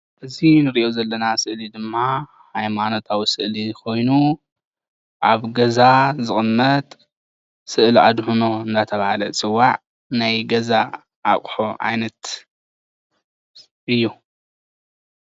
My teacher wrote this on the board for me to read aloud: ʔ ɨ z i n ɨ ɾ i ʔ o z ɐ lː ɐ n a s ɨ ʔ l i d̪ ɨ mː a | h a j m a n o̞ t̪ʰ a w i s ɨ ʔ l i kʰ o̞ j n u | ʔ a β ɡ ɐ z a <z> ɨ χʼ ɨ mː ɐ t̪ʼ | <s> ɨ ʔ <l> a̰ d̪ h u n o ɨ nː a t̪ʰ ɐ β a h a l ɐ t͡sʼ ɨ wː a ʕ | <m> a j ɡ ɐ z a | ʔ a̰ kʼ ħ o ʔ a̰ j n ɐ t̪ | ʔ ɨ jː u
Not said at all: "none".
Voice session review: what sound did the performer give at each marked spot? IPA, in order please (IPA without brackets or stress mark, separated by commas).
z, s, l, n